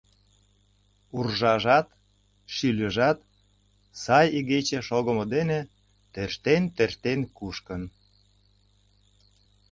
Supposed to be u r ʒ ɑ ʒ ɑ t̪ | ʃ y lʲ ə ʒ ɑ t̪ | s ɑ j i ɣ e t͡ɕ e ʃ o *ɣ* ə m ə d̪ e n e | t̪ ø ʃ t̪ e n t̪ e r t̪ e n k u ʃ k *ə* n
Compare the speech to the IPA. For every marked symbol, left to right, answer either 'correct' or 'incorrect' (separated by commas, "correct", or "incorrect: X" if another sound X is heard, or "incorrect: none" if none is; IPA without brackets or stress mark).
correct, correct